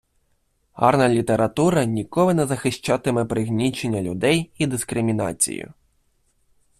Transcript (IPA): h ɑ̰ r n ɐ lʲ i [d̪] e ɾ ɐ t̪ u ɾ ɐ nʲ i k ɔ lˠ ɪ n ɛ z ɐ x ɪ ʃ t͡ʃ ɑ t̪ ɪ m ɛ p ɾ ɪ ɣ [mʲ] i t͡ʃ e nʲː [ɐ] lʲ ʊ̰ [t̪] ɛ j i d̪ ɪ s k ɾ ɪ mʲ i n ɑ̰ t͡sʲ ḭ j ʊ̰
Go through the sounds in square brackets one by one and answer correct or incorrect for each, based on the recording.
incorrect: t̪, incorrect: nʲ, correct, incorrect: d̪

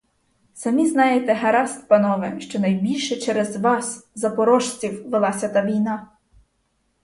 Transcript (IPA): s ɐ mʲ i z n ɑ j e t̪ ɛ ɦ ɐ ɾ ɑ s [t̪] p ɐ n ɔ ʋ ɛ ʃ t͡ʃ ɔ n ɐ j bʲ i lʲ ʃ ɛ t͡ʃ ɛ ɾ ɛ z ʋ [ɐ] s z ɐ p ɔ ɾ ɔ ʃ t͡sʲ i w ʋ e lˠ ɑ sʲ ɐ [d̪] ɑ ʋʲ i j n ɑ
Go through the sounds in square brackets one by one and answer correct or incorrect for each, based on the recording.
correct, incorrect: ɑ, incorrect: t̪

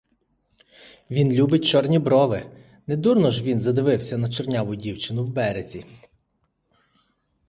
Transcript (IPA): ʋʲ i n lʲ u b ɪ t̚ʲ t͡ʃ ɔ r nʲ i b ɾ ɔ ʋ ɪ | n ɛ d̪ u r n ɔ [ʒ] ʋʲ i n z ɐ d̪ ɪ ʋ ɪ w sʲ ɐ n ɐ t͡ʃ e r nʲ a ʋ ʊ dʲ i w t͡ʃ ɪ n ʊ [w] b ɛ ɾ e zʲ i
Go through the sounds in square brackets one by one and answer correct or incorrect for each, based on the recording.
correct, correct

